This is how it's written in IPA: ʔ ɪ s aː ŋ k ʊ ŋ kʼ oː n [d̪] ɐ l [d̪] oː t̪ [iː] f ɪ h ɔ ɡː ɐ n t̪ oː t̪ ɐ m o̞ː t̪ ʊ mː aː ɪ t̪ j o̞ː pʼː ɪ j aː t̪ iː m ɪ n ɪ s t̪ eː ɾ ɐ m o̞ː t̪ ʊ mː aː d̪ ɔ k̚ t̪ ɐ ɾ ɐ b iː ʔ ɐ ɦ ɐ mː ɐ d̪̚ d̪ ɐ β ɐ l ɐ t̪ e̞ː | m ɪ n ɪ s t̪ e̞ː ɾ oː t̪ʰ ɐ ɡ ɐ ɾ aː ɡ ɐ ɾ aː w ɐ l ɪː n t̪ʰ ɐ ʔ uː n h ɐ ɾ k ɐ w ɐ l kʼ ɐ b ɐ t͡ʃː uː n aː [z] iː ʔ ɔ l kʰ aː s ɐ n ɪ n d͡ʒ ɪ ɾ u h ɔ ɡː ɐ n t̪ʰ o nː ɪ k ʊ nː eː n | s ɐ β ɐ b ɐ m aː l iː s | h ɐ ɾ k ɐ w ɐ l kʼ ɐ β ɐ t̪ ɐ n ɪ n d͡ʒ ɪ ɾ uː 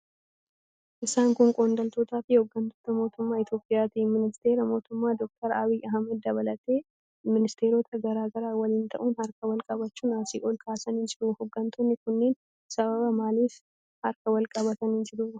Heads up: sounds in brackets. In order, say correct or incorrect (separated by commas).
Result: correct, incorrect, incorrect, incorrect